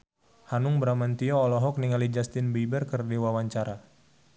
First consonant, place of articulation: glottal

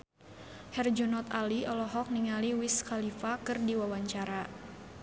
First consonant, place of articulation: glottal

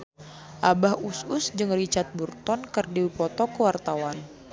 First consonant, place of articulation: glottal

